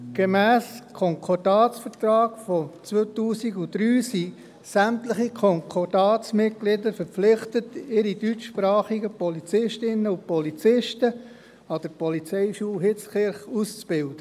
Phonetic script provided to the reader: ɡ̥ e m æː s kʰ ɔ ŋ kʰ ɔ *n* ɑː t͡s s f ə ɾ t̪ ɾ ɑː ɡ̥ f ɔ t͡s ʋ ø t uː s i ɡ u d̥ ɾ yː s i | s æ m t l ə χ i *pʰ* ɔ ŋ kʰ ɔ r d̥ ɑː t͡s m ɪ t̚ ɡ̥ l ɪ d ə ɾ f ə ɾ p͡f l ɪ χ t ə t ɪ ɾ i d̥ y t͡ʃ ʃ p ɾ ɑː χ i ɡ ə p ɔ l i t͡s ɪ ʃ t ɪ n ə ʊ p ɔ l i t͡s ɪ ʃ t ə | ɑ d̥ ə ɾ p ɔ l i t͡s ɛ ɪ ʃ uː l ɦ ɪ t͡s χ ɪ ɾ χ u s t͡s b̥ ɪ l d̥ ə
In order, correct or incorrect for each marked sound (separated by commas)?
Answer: incorrect, incorrect